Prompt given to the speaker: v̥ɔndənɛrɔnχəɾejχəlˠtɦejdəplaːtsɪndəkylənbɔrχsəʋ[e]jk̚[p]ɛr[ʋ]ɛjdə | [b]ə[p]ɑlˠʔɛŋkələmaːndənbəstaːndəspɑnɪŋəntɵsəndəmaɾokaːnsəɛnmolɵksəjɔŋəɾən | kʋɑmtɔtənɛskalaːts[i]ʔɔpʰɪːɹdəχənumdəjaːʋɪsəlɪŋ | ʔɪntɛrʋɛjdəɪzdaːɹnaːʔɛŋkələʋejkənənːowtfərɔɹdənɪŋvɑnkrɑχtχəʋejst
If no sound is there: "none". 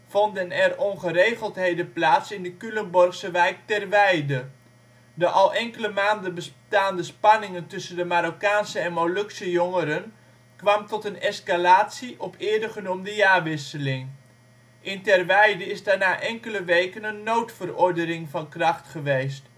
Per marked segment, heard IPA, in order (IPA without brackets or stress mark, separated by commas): ɛ, t, ʋ, d, ʔ, i